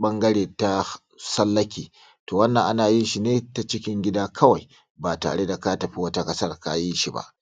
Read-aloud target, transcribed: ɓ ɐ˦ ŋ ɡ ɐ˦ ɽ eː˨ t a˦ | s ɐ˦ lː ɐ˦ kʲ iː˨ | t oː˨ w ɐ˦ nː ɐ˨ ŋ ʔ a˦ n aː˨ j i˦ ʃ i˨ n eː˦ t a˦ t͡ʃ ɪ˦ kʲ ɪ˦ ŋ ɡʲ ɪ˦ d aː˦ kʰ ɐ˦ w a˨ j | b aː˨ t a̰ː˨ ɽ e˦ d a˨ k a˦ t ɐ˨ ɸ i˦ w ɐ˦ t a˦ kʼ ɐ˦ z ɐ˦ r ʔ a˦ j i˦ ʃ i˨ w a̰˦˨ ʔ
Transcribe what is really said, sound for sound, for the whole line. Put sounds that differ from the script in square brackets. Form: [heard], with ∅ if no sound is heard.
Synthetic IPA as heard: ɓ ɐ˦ ŋ ɡ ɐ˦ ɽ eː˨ t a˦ | s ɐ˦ lː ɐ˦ kʲ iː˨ | t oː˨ w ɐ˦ nː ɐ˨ ŋ ʔ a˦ n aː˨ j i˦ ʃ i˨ n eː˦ t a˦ t͡ʃ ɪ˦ kʲ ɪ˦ ŋ ɡʲ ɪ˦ d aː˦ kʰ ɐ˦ w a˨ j | b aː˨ t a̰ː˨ ɽ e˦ d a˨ k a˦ t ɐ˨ ɸ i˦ w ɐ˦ t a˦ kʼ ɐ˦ [s] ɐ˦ r [k] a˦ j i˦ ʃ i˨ [b] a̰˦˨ ʔ